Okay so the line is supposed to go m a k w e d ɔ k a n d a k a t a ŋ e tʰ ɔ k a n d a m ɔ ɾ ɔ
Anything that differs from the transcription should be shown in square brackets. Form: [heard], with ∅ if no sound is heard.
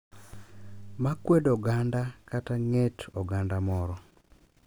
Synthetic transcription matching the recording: m a k w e d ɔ [ɡ] a n d a k a t a ŋ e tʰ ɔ [ɡ] a n d a m ɔ ɾ ɔ